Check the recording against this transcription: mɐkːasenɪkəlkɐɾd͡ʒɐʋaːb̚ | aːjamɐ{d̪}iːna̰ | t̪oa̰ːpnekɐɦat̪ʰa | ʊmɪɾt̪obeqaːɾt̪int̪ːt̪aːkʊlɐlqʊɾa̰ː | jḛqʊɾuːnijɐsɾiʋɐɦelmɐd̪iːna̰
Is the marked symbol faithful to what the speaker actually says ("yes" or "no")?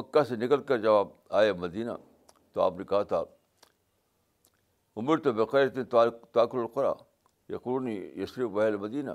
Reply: yes